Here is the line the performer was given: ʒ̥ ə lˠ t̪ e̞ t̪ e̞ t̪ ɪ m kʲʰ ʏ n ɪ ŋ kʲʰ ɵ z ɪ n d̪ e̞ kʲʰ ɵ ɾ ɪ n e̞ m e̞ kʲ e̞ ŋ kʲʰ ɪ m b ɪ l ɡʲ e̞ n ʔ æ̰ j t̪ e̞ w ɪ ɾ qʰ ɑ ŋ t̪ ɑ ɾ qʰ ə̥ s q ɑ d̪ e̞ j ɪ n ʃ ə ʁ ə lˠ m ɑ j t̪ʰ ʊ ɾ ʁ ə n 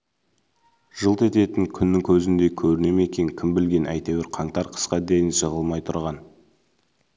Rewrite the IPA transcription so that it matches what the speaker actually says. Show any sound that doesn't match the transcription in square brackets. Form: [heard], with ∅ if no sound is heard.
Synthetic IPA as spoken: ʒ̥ ə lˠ t̪ e̞ t̪ e̞ t̪ ɪ [ŋ] kʲʰ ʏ [nː] ɪ ŋ kʲʰ ɵ z ɪ n d̪ e̞ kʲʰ ɵ ɾ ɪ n e̞ m e̞ kʲ e̞ ŋ kʲʰ ɪ m b ɪ l ɡʲ e̞ n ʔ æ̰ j t̪ e̞ w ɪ ɾ qʰ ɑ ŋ t̪ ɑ ɾ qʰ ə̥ s q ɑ d̪ e̞ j ɪ n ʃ ə ʁ ə lˠ m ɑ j t̪ʰ ʊ ɾ ʁ [ɑ] n